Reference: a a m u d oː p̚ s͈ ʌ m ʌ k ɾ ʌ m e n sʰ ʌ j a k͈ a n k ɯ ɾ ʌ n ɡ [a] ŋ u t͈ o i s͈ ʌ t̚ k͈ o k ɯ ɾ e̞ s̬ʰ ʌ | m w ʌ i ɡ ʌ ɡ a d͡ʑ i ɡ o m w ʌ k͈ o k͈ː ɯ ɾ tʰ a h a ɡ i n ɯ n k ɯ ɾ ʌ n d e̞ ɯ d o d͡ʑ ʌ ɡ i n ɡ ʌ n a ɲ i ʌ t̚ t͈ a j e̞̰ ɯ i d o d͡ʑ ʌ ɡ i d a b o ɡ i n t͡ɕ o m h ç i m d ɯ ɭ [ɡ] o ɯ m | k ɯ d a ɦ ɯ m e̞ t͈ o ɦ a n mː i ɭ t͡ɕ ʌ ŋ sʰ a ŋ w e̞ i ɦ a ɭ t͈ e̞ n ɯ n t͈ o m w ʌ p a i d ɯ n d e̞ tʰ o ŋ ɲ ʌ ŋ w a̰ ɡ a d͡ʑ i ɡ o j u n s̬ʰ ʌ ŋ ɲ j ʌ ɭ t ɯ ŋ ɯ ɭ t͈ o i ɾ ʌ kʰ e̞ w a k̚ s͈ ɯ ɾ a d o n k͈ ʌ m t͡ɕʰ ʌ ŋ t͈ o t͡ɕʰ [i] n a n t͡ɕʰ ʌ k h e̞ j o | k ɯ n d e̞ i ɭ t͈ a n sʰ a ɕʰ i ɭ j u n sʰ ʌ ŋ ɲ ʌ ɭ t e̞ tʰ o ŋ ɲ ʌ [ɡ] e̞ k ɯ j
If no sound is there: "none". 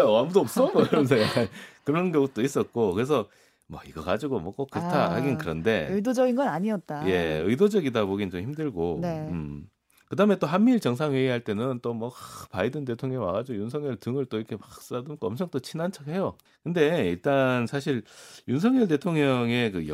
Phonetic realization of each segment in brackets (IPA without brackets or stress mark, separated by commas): ʌ, ɡ, i, ŋ